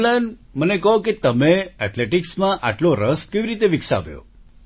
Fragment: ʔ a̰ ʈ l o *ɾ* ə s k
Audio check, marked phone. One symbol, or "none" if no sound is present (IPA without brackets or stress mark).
ɾ